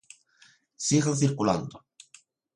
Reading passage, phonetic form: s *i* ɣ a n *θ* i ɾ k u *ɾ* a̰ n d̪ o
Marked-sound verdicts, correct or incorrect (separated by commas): correct, correct, incorrect